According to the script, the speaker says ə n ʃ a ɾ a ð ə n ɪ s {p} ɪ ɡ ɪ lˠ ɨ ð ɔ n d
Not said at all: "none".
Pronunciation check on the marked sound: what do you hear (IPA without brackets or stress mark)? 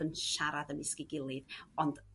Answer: k